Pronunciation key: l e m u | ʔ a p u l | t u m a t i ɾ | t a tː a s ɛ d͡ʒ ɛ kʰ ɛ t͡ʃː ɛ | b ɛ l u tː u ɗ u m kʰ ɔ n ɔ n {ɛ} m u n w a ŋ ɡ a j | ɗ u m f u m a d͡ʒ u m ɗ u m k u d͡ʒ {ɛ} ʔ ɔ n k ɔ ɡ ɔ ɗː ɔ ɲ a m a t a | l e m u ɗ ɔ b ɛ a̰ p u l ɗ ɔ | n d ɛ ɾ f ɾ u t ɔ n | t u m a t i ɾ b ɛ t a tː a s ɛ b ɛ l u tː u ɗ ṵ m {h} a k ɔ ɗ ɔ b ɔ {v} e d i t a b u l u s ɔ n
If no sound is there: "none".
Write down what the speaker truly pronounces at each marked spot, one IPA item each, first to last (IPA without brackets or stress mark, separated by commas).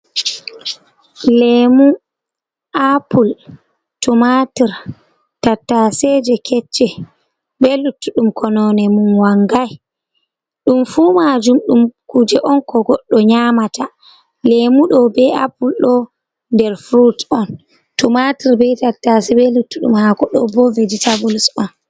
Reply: ɛ, ɛ, h, v